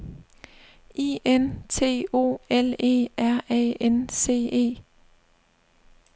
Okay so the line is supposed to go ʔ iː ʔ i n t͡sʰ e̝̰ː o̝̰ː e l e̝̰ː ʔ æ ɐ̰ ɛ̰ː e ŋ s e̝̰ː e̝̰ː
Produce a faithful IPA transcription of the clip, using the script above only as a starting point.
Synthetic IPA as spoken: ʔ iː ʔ e n t͡sʰ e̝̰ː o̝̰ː e l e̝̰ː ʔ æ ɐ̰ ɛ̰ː e n s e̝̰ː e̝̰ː